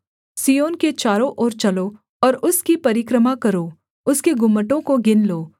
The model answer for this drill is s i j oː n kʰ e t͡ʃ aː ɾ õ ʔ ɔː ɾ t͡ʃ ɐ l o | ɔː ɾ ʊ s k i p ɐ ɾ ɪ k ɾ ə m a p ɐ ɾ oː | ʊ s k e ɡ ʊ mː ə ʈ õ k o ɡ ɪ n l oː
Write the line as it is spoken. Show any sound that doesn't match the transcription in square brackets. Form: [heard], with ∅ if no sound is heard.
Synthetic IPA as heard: s i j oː n [k] e t͡ʃ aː ɾ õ ʔ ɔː ɾ t͡ʃ ɐ l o | ɔː ɾ ʊ s k i p ɐ ɾ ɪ k ɾ ə m a [k] ɐ ɾ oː | ʊ s k e ɡ ʊ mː ə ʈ õ k o ɡ ɪ n l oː